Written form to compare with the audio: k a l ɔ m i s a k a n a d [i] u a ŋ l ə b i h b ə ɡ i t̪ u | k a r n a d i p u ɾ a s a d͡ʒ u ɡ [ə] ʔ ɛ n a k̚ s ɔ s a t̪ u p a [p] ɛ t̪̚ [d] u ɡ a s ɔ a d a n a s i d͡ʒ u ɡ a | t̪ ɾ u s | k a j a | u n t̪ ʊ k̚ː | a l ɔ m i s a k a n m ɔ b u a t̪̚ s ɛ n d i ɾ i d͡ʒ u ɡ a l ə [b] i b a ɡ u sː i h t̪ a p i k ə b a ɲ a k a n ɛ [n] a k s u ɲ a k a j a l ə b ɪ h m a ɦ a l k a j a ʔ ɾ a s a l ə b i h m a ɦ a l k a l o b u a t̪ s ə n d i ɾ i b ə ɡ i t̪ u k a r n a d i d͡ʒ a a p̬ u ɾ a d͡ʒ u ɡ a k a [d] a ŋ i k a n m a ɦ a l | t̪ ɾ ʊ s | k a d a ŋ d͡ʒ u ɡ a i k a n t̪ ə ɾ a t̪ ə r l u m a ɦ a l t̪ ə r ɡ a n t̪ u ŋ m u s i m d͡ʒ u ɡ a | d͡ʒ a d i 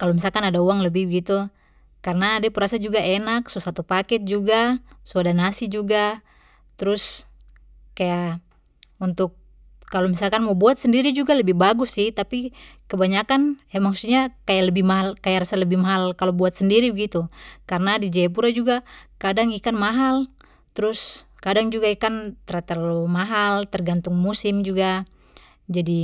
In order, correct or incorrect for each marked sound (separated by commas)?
incorrect, incorrect, incorrect, incorrect, correct, incorrect, correct